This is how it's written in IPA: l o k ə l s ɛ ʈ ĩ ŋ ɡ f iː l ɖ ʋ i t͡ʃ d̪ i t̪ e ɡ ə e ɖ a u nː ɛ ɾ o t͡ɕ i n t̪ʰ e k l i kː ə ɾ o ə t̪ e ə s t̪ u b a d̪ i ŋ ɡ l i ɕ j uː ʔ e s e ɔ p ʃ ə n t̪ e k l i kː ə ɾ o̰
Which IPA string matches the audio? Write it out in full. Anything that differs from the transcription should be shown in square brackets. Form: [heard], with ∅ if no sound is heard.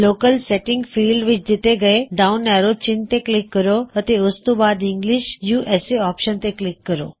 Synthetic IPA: l o k ə l s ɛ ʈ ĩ ŋ ɡ f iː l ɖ ʋ i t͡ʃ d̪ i t̪ e ɡ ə e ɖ a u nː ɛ ɾ o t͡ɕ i n [t̪] e k l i kː ə ɾ o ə t̪ e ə s t̪ u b a d̪ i ŋ ɡ l i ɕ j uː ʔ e s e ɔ p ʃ ə n t̪ e k l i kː ə ɾ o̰